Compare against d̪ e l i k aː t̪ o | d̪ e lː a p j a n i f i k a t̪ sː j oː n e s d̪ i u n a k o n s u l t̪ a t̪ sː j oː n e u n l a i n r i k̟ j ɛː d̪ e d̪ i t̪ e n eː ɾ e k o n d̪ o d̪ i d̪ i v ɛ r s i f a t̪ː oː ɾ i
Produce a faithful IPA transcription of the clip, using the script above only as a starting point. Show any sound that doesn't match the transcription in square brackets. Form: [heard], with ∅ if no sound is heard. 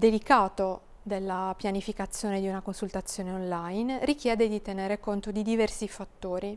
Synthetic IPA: d̪ e l i k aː t̪ o | d̪ e lː a p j a n i f i k a t̪ sː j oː n e [∅] d̪ i u n a k o n s u l t̪ a t̪ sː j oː n e [o] n l a [j] n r i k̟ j ɛː d̪ e d̪ i t̪ e n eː ɾ e k o n [t̪] o d̪ i d̪ i v ɛ r s i f a t̪ː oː ɾ i